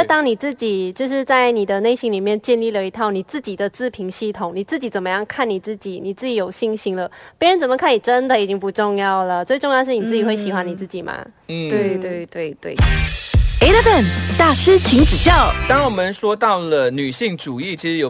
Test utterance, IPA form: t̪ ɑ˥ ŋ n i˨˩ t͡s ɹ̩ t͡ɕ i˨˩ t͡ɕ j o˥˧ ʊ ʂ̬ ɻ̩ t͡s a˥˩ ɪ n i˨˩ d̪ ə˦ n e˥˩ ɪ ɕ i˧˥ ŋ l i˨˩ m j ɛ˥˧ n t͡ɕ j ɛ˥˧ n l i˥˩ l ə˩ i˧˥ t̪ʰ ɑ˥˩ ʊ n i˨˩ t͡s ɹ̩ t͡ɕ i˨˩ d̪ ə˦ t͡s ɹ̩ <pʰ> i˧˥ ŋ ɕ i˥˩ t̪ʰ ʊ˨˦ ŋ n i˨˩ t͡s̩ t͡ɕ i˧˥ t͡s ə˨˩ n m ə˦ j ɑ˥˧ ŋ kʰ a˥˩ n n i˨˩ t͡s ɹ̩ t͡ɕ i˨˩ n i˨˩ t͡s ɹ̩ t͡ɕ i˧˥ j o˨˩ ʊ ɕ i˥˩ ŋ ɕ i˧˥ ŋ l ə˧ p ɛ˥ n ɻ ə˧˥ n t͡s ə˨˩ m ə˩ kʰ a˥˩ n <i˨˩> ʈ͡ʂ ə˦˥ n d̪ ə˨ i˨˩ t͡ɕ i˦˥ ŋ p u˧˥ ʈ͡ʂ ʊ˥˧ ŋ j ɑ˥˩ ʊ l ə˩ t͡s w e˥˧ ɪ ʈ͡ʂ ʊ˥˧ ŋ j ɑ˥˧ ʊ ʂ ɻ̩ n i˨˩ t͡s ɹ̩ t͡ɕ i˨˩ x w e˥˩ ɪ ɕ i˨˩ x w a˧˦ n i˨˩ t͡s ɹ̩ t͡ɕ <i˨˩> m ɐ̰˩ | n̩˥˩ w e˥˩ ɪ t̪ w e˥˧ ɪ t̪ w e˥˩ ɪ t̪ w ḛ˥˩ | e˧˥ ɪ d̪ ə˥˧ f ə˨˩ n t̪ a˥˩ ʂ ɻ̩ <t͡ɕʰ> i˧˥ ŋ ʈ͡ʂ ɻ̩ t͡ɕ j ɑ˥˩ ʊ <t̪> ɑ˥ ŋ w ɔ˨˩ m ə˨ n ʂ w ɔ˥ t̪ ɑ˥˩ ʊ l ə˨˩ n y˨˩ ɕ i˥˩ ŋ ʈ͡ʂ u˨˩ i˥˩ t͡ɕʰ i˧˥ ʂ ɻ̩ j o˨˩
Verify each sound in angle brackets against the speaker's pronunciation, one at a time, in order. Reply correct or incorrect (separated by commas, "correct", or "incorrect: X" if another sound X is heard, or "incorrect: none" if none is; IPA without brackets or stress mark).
correct, correct, correct, correct, correct